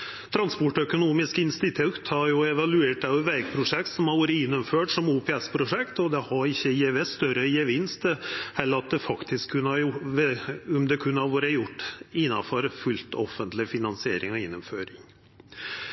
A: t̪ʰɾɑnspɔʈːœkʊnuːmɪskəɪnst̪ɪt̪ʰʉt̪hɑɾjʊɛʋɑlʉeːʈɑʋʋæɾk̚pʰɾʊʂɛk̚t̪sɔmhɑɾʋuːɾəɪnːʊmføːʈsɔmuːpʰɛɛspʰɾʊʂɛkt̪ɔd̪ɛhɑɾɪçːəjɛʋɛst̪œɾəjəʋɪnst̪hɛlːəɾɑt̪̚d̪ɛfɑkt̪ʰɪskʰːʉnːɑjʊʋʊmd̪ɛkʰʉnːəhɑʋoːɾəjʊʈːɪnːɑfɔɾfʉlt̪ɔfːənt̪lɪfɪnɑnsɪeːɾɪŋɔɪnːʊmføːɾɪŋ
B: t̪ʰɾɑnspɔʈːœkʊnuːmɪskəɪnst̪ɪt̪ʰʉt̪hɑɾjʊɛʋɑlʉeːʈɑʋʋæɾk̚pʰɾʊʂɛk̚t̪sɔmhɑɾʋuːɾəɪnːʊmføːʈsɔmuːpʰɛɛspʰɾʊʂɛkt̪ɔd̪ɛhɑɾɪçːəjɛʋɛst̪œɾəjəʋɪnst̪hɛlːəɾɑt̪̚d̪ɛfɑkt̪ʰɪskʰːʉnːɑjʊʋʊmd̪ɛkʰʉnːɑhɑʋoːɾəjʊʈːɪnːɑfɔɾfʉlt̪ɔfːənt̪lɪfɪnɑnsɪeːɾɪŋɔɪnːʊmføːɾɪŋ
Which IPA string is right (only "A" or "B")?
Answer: A